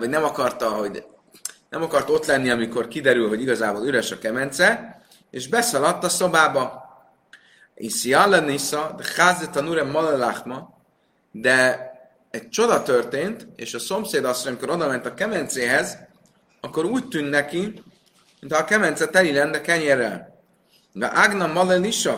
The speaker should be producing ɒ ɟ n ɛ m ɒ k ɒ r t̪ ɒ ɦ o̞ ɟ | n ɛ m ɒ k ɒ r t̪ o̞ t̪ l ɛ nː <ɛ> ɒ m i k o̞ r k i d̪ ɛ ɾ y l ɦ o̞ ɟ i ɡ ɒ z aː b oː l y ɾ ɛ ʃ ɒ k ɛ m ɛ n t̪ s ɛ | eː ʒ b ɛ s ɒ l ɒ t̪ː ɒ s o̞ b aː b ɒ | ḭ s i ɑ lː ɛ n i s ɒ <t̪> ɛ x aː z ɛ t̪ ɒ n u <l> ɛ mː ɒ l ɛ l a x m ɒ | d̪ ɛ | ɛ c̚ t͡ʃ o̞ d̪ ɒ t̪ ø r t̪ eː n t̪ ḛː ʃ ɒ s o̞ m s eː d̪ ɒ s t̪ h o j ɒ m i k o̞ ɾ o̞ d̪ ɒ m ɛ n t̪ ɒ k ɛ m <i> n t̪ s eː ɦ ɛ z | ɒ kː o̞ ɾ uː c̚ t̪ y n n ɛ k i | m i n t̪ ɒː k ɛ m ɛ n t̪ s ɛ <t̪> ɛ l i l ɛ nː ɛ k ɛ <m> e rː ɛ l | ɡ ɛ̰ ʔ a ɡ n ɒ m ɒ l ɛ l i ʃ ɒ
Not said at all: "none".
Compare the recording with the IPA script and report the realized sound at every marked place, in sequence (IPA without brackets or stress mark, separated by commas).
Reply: i, d̪, ɾ, ɛ, t̪, ɲ